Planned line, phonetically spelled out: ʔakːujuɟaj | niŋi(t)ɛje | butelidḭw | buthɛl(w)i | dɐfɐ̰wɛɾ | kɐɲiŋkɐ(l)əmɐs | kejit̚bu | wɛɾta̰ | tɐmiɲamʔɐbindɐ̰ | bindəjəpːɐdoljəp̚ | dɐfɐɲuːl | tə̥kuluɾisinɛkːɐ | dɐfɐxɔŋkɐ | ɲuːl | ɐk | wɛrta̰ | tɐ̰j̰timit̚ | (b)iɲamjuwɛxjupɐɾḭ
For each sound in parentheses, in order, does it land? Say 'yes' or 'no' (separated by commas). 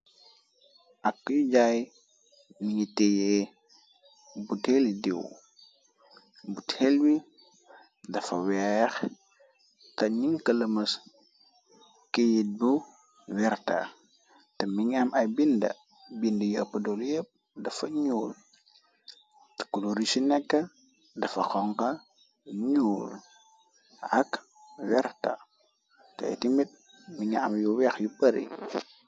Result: yes, yes, yes, no